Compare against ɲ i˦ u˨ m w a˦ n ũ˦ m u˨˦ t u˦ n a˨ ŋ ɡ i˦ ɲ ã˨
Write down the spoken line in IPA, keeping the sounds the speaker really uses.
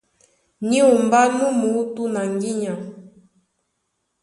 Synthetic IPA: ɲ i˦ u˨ m b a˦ n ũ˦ m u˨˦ t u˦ n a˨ ŋ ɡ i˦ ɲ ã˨